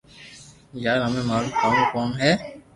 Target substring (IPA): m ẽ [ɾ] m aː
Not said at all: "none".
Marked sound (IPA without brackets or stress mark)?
none